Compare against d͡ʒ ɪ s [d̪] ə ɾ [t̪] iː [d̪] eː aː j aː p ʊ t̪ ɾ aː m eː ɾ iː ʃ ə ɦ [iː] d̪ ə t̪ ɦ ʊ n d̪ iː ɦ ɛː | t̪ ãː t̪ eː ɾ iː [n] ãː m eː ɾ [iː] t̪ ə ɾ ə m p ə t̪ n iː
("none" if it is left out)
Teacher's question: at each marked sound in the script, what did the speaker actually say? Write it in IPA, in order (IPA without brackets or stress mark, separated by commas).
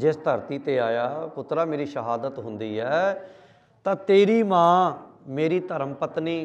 t̪, t̪, t̪, aː, m, iː